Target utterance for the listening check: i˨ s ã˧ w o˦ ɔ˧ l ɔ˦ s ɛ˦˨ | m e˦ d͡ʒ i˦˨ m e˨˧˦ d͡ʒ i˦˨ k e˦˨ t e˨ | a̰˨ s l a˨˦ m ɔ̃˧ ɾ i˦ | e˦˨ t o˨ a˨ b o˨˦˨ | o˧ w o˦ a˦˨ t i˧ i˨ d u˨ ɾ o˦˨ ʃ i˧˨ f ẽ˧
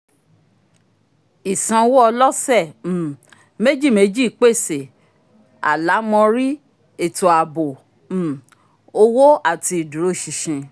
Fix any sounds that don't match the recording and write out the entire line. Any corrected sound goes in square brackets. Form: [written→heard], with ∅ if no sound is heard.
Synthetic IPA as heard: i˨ s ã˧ w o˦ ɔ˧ l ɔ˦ s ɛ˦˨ | m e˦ d͡ʒ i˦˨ m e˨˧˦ d͡ʒ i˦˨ [k→k͡p] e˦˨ [t→s] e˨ | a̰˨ [s→∅] l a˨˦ m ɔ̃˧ ɾ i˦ | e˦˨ t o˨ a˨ b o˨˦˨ | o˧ w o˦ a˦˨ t i˧ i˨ d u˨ ɾ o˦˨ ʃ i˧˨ [f→ʃ] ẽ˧